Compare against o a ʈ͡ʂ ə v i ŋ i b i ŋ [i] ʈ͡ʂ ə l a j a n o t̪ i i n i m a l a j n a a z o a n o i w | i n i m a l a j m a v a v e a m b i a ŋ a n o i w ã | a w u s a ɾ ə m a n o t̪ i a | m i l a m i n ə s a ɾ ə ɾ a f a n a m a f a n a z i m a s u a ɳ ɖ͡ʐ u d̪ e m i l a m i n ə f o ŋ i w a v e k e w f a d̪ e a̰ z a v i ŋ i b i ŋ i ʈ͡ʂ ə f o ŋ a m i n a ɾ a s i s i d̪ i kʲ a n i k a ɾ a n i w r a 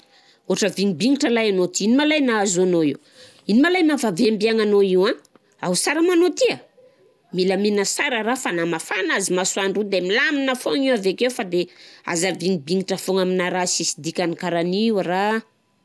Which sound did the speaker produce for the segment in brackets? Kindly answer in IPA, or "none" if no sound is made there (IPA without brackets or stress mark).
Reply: i